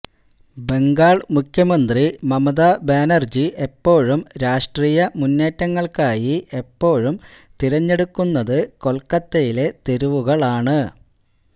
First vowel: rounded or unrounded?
unrounded